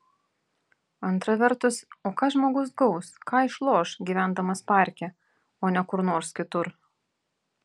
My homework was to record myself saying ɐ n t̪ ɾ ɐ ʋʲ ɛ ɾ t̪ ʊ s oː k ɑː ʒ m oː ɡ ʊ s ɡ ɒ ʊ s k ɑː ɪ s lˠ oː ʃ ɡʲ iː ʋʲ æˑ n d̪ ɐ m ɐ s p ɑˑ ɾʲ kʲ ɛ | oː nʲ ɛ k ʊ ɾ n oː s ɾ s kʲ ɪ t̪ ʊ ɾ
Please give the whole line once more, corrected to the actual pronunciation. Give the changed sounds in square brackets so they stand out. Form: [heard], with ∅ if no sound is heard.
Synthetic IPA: ɐ n t̪ ɾ ɐ ʋʲ ɛ ɾ t̪ ʊ s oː k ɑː ʒ m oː ɡ ʊ s ɡ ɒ ʊ s k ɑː ɪ [ʃ] lˠ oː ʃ ɡʲ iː ʋʲ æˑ n d̪ ɐ m ɐ s p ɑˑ ɾʲ kʲ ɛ | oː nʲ ɛ k ʊ ɾ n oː [∅] ɾ s kʲ ɪ t̪ ʊ ɾ